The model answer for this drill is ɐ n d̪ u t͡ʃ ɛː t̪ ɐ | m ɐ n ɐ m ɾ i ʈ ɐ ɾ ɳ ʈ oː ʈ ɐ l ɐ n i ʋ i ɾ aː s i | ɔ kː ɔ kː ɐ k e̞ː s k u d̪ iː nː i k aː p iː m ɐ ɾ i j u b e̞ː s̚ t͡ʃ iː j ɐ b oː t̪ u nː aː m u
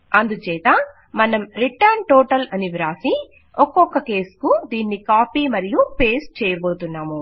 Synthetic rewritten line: ɐ n d̪ u t͡ʃ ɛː t̪ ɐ | m ɐ n ɐ m ɾ i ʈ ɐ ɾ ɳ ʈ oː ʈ ɐ l ɐ n i ʋ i ɾ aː s i | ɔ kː ɔ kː ɐ k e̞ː s k u d̪ iː nː i k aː p iː m ɐ ɾ i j u p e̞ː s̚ t͡ʃ ɛː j ɐ b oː t̪ u nː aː m u